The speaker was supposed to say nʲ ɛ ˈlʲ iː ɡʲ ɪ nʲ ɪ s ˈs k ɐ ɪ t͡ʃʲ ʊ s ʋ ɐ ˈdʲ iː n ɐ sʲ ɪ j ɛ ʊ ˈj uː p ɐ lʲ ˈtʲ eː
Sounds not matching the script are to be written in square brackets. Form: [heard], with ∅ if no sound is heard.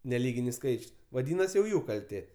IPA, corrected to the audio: nʲ ɛ ˈlʲ iː ɡʲ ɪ nʲ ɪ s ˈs k ɐ ɪ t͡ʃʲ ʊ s ʋ ɐ ˈdʲ iː n ɐ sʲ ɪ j ɛ ʊ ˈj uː [k] ɐ lʲ ˈtʲ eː